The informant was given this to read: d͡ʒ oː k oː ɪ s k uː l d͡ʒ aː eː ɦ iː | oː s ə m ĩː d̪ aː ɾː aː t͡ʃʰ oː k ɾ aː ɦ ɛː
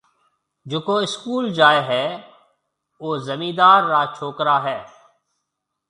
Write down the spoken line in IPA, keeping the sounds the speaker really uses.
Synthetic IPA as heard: d͡ʒ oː k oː ɪ s k uː l d͡ʒ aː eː ɦ ɛː | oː z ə m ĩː d̪ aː ɾː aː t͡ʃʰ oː k ɾ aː ɦ ɛː